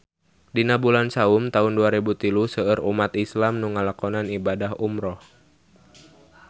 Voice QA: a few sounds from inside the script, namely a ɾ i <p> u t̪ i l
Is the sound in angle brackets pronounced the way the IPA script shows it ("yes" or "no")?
no